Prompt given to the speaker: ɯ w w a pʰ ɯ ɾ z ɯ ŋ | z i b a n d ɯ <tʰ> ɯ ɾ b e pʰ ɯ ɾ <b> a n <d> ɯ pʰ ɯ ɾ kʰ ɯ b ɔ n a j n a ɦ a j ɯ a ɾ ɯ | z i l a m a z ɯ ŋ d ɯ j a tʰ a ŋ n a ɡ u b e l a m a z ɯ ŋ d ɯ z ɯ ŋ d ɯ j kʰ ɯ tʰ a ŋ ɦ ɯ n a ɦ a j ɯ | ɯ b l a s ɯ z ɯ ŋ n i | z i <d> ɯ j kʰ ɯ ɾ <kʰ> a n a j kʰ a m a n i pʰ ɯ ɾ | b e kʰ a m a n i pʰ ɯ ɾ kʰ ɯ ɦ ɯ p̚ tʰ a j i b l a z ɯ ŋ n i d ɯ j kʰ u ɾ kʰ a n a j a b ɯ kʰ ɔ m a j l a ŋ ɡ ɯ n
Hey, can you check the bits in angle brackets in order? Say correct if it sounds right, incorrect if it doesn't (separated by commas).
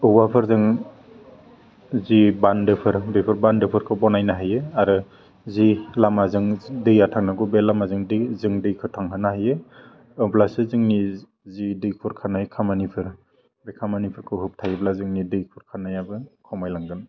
incorrect, correct, correct, correct, correct